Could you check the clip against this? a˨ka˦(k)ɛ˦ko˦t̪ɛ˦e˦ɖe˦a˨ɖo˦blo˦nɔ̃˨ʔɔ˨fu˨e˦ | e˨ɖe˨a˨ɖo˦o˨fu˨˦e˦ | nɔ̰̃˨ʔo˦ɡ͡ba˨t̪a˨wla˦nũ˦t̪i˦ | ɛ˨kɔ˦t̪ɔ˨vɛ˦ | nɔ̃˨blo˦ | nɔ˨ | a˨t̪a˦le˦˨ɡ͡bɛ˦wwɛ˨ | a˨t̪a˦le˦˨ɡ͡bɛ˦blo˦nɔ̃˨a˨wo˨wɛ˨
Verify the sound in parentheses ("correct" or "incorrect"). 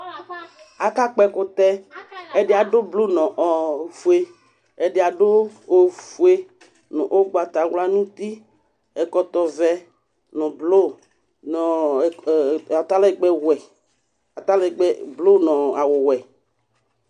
incorrect